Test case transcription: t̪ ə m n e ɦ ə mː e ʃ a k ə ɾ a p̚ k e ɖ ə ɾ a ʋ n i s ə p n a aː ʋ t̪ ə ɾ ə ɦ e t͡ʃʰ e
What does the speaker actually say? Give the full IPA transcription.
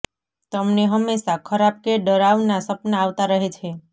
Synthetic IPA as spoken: t̪ ə m n e ɦ ə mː e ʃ a kʰ ə ɾ a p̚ k e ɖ ə ɾ a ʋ n a s ə p n a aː ʋ t̪ a ɾ ə ɦ e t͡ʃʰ e